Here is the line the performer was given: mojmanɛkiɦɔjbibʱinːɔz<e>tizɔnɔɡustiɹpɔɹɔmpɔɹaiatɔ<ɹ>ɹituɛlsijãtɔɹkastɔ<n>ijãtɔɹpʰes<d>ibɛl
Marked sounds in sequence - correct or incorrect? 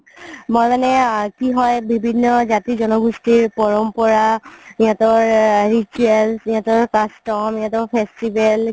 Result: incorrect, correct, incorrect, incorrect

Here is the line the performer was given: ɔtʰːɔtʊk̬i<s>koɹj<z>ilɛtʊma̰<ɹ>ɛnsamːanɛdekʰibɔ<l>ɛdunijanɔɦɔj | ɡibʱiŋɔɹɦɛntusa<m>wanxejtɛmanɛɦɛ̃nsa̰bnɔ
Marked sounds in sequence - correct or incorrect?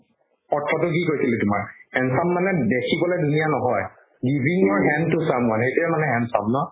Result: incorrect, incorrect, correct, correct, correct

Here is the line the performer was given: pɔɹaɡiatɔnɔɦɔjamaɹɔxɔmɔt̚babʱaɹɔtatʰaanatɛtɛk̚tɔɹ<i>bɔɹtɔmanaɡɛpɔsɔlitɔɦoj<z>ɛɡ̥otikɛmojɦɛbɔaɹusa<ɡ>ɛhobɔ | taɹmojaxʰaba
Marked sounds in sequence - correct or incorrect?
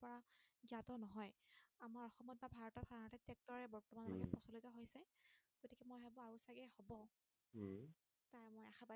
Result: incorrect, incorrect, correct

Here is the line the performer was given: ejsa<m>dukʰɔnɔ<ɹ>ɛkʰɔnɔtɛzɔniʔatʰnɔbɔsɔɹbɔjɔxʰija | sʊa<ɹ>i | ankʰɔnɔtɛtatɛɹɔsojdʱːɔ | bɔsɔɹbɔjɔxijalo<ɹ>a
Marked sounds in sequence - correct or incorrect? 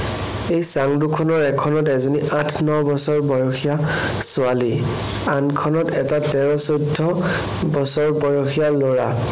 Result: incorrect, correct, incorrect, correct

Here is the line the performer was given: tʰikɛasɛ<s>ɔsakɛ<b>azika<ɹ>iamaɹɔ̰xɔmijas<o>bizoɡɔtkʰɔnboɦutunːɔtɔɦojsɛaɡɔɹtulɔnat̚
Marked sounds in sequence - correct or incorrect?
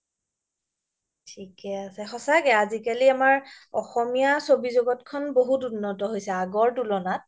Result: incorrect, incorrect, incorrect, correct

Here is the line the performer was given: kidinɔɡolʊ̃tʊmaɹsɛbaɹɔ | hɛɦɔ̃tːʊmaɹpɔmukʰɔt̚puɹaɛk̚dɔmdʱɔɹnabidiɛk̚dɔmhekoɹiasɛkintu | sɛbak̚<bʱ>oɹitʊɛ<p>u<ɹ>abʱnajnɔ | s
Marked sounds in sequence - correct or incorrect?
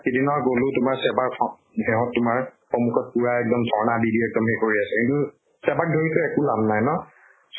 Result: incorrect, incorrect, incorrect

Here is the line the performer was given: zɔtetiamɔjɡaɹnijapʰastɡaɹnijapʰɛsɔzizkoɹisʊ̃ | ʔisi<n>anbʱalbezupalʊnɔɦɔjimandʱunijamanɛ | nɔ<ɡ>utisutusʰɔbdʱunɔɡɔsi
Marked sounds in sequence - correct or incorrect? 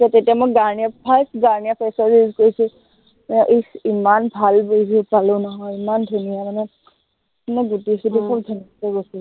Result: incorrect, correct

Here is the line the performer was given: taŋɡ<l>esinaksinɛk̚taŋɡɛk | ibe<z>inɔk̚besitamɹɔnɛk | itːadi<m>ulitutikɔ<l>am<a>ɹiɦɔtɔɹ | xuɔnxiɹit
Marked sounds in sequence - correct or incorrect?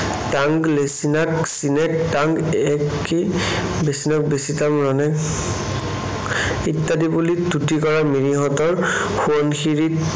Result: correct, incorrect, incorrect, incorrect, incorrect

